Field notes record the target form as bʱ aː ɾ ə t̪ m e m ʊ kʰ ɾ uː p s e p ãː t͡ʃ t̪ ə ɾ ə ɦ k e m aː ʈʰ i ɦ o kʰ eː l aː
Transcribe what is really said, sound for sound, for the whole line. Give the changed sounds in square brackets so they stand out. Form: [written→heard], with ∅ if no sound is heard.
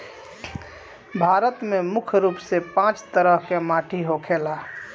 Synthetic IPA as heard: bʱ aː ɾ ə t̪ m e m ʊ kʰ ɾ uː p s e p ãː t͡ʃ t̪ ə ɾ ə ɦ k e m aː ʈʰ i ɦ o kʰ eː l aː

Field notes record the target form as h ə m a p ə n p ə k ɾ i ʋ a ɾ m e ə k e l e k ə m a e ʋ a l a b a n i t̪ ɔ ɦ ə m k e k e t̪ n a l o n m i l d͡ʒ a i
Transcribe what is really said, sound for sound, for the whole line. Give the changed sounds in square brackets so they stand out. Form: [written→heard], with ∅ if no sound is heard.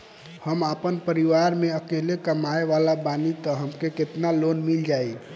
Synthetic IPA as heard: h ə m a p ə n p ə [k→∅] ɾ i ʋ a ɾ m e ə k e l e k ə m a e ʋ a l a b a n i t̪ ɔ ɦ ə m k e k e t̪ n a l o n m i l d͡ʒ a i

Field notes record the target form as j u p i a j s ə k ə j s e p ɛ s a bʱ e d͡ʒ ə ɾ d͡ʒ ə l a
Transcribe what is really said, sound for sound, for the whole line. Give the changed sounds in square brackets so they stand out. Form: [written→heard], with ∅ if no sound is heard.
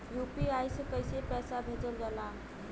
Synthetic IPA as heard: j u p i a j s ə k ə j s e p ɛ s a bʱ e d͡ʒ ə [ɾ→l] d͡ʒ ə l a

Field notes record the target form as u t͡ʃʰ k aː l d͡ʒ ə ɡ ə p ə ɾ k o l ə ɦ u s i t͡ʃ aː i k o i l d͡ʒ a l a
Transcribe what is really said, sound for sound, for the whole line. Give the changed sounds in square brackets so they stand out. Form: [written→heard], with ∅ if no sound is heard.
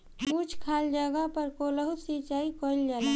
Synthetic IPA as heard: u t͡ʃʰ [k→kʰ] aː l d͡ʒ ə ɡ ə p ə ɾ k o l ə ɦ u s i t͡ʃ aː i k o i l d͡ʒ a l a

